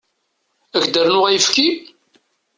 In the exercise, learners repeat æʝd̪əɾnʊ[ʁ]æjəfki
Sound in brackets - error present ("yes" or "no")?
no